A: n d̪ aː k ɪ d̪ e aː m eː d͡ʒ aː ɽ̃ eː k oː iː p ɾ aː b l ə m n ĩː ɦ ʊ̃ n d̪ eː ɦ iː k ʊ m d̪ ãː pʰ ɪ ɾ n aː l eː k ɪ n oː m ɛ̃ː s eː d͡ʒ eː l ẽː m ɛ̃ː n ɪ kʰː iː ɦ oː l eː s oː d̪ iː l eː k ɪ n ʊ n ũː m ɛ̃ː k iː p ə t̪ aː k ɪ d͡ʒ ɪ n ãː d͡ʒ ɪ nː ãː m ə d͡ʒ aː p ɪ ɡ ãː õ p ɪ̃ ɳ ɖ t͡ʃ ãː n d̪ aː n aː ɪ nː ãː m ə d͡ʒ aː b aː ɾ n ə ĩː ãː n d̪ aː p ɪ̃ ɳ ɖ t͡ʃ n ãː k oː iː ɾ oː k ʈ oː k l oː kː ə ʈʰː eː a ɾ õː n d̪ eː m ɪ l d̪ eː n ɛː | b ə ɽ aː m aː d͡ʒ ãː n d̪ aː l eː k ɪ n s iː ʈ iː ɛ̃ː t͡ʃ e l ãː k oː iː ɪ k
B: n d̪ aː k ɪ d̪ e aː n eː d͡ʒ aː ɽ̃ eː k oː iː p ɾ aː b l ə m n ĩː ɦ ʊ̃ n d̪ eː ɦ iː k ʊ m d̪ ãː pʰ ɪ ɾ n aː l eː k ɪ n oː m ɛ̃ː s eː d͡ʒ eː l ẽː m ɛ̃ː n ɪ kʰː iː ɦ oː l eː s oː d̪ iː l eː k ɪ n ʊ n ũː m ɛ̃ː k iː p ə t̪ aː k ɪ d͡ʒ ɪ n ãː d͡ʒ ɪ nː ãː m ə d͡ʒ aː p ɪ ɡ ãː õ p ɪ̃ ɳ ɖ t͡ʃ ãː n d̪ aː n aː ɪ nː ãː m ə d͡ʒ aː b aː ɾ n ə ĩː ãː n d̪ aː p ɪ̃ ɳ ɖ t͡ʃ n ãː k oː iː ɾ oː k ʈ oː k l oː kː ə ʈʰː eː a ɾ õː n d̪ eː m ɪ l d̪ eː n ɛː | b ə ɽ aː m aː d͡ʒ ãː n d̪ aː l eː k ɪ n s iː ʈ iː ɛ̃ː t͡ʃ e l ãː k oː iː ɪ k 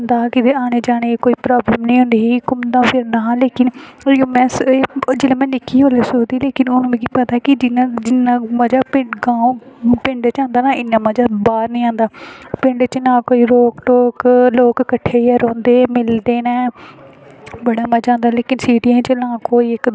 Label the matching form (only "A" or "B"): B